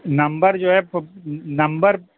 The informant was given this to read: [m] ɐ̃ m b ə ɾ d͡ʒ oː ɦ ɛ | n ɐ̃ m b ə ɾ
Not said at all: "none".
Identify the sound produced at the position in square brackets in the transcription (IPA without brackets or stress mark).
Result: n